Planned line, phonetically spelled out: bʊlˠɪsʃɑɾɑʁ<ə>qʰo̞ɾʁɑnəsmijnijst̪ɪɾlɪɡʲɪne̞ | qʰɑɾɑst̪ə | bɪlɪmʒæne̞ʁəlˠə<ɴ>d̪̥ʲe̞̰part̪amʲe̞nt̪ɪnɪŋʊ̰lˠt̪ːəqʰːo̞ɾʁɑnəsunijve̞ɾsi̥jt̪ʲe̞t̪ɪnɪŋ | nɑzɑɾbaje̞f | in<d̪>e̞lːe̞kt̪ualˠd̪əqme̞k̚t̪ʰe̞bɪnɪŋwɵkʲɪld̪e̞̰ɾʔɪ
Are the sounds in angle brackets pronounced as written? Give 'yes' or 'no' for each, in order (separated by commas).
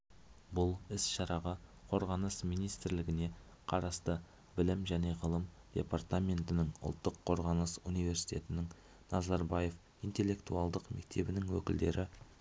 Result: no, no, no